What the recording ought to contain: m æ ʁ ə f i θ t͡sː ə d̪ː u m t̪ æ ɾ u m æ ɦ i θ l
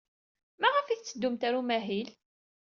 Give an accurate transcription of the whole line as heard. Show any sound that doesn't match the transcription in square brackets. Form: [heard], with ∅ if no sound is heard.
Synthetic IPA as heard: m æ ʁ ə f i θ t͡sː ə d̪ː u m t̪ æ ɾ u m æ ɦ i [∅] l